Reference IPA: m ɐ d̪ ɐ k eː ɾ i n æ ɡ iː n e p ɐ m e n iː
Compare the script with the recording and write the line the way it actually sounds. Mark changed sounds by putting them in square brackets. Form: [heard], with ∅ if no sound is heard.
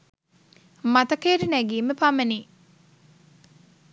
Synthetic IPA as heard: m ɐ [t̪] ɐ k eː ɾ i n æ ɡ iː [m] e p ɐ m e n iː